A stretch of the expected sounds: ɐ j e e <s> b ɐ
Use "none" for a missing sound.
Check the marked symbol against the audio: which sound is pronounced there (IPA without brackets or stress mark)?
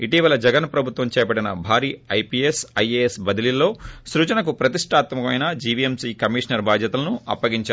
s